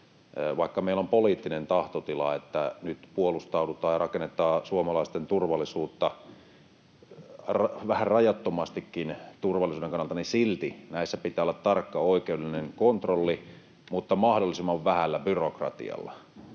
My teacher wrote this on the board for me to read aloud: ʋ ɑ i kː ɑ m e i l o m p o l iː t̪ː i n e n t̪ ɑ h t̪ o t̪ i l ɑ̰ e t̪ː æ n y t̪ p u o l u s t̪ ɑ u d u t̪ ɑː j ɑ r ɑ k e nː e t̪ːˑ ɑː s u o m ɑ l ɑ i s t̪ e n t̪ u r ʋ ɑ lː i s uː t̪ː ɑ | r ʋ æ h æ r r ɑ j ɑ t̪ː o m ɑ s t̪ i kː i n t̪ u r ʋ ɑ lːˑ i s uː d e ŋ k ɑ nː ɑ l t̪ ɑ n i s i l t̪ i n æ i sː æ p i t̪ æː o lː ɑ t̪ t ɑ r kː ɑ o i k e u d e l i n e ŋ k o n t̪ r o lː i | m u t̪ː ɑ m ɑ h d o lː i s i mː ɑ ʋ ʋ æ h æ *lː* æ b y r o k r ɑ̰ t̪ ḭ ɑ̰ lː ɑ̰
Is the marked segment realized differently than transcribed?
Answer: no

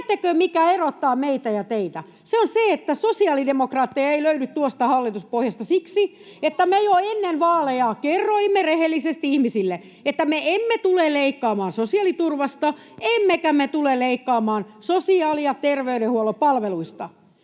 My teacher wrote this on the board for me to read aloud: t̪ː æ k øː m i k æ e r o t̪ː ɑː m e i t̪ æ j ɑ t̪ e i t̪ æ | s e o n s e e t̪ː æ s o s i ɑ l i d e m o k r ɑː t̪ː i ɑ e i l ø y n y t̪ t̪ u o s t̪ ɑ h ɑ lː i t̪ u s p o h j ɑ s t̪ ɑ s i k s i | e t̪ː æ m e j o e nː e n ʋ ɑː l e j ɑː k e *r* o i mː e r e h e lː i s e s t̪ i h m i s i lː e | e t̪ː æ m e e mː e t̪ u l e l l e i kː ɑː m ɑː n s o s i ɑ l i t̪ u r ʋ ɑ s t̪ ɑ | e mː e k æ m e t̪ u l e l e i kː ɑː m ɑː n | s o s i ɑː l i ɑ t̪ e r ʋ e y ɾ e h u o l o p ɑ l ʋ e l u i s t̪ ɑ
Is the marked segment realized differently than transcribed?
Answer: yes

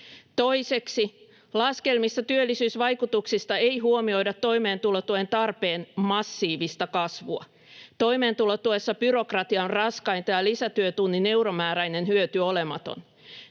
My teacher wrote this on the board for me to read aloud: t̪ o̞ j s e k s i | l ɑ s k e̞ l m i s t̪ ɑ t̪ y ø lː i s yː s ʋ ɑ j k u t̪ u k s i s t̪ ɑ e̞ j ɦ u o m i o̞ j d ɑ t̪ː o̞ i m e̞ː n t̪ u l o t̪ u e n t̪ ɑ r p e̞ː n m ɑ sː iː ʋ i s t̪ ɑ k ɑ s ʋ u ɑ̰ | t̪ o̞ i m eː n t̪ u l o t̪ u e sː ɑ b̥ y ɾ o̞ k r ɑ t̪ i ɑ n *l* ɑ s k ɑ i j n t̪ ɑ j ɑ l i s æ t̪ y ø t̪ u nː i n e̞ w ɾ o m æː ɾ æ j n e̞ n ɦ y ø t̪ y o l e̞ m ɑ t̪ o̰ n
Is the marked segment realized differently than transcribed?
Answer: yes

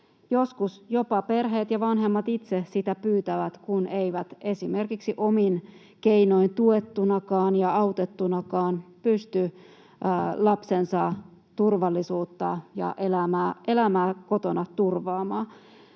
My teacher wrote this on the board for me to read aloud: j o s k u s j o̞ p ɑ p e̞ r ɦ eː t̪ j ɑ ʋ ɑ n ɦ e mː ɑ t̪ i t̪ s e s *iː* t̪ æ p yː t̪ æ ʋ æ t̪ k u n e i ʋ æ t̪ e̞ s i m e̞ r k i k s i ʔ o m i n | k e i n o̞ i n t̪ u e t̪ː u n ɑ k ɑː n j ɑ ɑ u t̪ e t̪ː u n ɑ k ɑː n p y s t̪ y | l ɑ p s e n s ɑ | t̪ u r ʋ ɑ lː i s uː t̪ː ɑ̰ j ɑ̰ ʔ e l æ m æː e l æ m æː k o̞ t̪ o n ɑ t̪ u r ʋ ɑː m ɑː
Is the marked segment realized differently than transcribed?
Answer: yes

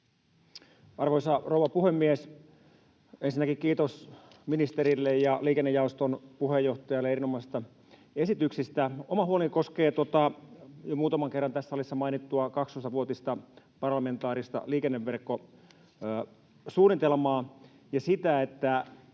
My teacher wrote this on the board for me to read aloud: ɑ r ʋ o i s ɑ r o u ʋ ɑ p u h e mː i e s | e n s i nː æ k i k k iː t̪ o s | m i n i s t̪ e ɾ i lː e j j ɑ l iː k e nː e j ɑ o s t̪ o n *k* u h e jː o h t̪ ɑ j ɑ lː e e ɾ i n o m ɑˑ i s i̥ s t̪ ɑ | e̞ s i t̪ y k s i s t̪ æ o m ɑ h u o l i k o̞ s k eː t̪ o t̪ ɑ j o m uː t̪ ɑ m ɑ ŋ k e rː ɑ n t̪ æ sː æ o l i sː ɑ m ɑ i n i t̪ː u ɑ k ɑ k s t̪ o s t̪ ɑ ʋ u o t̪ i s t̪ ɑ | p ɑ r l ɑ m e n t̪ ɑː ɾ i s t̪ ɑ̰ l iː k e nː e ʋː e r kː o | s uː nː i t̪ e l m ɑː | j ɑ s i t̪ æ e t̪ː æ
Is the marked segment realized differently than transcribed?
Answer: yes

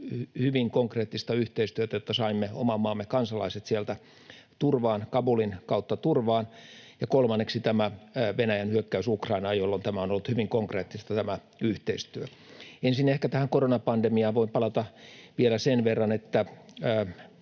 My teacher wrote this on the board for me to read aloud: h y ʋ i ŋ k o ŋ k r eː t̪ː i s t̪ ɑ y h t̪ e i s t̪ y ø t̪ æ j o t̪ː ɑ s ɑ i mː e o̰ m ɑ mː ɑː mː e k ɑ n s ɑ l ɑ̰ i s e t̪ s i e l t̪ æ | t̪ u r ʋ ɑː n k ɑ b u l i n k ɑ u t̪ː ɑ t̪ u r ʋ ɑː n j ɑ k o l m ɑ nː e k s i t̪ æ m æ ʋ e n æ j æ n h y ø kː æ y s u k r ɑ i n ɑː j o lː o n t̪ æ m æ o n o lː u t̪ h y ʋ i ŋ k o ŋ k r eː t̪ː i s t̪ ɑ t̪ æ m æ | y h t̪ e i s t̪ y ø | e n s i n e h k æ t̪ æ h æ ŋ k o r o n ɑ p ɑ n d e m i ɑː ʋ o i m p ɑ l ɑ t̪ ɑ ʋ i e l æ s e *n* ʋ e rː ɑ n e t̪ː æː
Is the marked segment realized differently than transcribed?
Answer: no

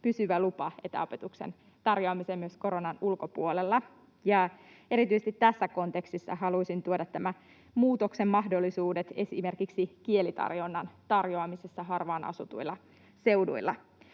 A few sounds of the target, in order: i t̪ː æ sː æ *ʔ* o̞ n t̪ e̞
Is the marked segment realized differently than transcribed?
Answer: yes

